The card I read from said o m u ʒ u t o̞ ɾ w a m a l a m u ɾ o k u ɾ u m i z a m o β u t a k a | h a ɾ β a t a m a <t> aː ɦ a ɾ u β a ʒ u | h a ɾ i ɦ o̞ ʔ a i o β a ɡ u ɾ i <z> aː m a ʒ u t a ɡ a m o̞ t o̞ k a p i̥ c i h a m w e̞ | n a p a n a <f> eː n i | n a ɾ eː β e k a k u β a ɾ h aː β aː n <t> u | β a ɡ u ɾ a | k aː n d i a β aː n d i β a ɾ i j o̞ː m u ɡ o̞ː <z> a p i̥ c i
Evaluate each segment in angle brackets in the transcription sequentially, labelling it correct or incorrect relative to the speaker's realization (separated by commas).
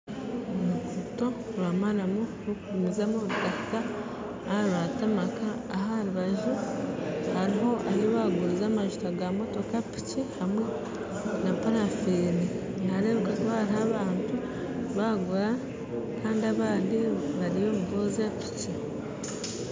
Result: incorrect, correct, correct, correct, correct